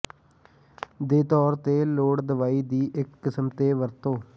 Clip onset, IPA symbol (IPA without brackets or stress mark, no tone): d̪